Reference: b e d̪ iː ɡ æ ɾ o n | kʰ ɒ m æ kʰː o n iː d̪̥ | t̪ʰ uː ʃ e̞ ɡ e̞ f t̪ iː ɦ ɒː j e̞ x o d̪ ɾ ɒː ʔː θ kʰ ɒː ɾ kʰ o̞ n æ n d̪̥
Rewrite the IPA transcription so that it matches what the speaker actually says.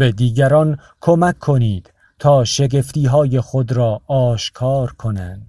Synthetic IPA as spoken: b e d̪ iː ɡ æ ɾ ɒ n | kʰ o m æ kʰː o n iː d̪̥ | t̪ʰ ɒː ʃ e̞ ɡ e̞ f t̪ iː ɦ ɒː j e̞ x o d̪ ɾ ɒː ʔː ʃ kʰ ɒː ɾ kʰ o̞ n æ n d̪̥